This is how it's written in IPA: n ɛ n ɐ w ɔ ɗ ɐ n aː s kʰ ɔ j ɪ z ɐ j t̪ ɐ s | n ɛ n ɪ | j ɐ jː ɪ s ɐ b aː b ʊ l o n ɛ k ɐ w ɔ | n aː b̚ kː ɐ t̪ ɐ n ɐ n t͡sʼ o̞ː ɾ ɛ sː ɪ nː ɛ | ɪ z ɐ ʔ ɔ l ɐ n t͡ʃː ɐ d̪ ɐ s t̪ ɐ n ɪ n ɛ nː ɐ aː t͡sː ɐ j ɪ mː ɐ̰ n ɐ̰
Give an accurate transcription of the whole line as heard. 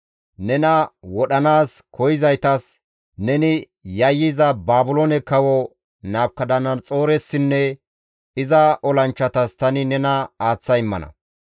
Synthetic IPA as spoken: n ɛ n ɐ w ɔ ɗ ɐ n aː s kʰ ɔ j ɪ z ɐ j t̪ ɐ s | n ɛ n ɪ | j ɐ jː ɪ z ɐ b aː b ʊ l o n ɛ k ɐ w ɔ | n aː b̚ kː ɐ d̪ ɐ n ɐ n t͡sʼ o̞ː ɾ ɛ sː ɪ nː ɛ | ɪ z ɐ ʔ ɔ l ɐ n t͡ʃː ɐ t̪ ɐ s t̪ ɐ n ɪ n ɛ n ɐ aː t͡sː ɐ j ɪ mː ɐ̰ n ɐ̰